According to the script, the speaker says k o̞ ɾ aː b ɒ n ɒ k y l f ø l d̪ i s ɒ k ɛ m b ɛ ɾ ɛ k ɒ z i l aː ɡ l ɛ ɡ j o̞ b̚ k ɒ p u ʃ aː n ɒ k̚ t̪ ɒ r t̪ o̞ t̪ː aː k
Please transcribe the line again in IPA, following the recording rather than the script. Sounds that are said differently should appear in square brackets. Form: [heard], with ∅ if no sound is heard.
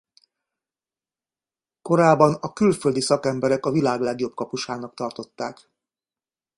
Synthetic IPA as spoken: k o̞ ɾ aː b ɒ n ɒ k y l f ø l d̪ i s ɒ k ɛ m b ɛ ɾ ɛ k ɒ [v] i l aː ɡ l ɛ ɡ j o̞ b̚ k ɒ p u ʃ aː n ɒ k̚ t̪ ɒ r t̪ o̞ t̪ː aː k